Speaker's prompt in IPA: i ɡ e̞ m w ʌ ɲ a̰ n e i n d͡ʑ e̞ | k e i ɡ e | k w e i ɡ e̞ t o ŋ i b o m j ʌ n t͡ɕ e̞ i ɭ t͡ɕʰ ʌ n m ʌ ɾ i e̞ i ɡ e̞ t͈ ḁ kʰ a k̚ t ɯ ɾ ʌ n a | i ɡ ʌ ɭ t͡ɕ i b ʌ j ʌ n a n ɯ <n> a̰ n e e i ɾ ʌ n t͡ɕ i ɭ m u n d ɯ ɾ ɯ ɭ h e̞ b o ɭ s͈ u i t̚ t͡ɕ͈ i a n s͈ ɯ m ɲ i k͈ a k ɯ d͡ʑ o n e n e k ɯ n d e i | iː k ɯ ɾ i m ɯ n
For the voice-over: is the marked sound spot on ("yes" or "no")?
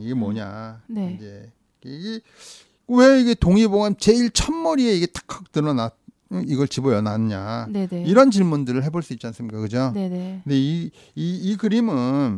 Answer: no